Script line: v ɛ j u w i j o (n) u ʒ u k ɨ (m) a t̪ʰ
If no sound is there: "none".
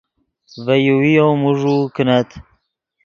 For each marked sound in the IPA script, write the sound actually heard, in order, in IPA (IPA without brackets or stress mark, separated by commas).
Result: m, n